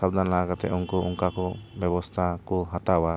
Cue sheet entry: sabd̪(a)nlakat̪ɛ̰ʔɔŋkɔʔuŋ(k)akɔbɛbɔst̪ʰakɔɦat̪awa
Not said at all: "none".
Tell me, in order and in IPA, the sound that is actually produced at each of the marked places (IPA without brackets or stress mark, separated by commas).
a, k